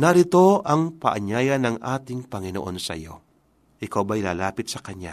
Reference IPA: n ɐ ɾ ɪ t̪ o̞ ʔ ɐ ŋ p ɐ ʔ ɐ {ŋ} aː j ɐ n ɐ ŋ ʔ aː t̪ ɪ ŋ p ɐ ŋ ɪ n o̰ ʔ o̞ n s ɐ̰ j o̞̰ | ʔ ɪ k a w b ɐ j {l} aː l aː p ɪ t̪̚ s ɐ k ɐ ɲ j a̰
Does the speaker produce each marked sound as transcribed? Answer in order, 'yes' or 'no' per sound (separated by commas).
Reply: no, yes